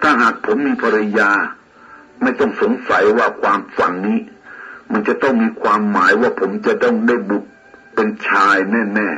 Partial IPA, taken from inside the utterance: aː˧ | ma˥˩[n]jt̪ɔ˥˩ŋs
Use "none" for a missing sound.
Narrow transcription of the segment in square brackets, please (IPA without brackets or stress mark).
none